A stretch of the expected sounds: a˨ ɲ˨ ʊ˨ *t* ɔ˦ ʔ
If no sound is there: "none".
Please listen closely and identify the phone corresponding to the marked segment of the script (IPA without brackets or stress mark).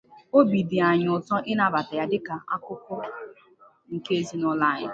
t